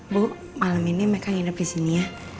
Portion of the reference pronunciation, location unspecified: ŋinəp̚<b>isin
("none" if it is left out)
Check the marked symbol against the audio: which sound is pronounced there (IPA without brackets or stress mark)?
d